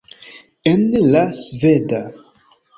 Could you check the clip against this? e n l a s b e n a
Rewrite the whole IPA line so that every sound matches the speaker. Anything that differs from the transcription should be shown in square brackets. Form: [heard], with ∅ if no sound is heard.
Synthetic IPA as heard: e n l a s [v] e [d] a

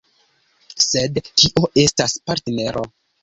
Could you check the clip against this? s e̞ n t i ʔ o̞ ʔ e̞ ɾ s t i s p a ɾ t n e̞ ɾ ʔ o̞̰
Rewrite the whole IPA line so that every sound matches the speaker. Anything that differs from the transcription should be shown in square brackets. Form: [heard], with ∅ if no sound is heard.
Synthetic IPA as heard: s e̞ [d] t i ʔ o̞ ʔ e̞ [∅] s t [a] s p a ɾ t n e̞ ɾ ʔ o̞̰

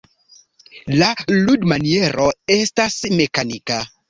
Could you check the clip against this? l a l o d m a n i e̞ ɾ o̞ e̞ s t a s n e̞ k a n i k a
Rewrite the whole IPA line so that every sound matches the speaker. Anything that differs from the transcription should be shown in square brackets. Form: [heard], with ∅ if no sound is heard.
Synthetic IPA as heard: l a l [u] d m a n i e̞ ɾ o̞ e̞ s t a s [m] e̞ k a n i k a

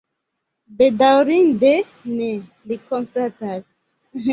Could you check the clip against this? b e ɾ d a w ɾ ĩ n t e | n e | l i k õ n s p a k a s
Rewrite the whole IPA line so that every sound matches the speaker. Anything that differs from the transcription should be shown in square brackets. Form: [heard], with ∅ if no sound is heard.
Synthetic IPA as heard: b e [∅] d a w ɾ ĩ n [d] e | n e | l i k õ n s [t] a [t] a s

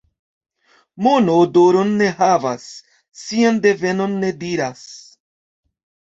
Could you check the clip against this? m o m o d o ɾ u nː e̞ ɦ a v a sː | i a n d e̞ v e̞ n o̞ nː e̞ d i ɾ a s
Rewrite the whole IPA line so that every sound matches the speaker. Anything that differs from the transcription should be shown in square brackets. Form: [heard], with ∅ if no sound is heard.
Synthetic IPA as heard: m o [n] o d o ɾ [o] nː e̞ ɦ a v a sː | i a n d e̞ v e̞ n o̞ nː e̞ d i ɾ a s

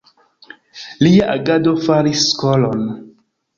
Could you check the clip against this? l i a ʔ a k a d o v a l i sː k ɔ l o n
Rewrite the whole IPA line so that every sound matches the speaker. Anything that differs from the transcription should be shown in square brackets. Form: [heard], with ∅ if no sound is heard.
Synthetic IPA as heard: l i a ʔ a [ɡ] a d o [f] a [ɾ] i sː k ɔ l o n

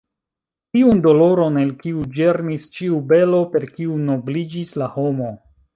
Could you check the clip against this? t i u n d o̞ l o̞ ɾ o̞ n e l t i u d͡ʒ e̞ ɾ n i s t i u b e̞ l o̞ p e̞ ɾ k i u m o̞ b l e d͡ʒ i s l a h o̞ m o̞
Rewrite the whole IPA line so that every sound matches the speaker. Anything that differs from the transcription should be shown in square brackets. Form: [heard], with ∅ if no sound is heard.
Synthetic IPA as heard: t i u n d o̞ l o̞ ɾ o̞ n e l [k] i u d͡ʒ e̞ ɾ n i s [t͡ʃ] i u b e̞ l o̞ p e̞ ɾ k i u [n] o̞ b l [i] d͡ʒ i s l a h o̞ m o̞

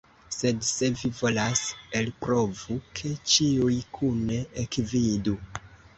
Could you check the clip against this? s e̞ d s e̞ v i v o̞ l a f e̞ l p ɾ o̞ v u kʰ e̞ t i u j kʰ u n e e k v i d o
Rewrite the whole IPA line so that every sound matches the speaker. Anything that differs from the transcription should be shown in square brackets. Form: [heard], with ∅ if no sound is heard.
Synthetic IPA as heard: s e̞ d s e̞ v i v o̞ l a [s] e̞ l p ɾ o̞ v u kʰ e̞ [t͡ʃ] i u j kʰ u n e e k v i d [u]

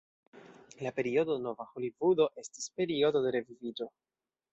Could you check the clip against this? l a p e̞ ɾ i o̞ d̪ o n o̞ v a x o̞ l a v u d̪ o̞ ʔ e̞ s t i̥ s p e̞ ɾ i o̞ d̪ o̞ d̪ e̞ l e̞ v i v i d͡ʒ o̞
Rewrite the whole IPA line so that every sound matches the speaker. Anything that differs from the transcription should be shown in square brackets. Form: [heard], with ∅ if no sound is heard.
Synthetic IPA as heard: l a p e̞ ɾ i o̞ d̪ o n o̞ v a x o̞ l [i] v u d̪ o̞ ʔ e̞ s t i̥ s p e̞ ɾ i o̞ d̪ o̞ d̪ e̞ [ɾ] e̞ v i v i d͡ʒ o̞

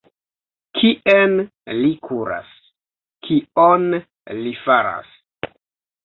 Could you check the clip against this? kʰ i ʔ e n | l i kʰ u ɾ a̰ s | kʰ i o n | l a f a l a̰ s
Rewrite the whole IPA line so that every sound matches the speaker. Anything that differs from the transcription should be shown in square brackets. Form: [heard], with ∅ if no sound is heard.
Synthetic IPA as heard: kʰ i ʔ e n | l i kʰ u ɾ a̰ s | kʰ i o n | l [i] f a [ɾ] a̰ s

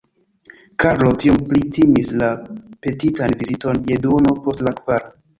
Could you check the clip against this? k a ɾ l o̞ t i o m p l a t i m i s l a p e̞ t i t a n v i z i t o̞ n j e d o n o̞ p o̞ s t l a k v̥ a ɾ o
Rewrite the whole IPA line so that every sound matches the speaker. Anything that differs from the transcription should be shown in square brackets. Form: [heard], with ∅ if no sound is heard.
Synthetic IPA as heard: k a ɾ l o̞ t i o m p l [i] t i m i s l a p e̞ t i t a n v i z i t o̞ n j e d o n o̞ p o̞ s t l a k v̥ a ɾ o

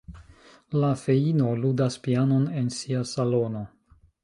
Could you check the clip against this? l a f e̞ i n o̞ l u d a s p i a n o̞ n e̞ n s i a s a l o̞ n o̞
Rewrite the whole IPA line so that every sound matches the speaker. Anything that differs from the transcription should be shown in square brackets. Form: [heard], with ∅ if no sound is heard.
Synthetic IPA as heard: l a f e̞ i n o̞ l u d a s p i a n o̞ n e̞ n s i a s a l o̞ n o̞

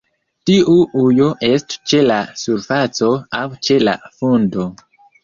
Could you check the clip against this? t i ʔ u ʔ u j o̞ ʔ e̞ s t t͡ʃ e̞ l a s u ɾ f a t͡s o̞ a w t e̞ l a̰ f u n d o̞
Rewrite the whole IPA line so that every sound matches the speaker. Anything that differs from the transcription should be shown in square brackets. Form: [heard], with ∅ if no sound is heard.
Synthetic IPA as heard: t i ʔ u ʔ u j o̞ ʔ e̞ s t t͡ʃ e̞ l a s u ɾ f a t͡s o̞ a w [t͡ʃ] e̞ l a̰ f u n d o̞

